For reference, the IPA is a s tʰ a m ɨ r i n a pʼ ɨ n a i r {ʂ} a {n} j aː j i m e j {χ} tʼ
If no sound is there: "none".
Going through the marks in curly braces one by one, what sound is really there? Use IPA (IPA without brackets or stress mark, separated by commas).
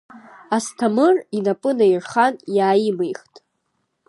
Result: χ, n, χ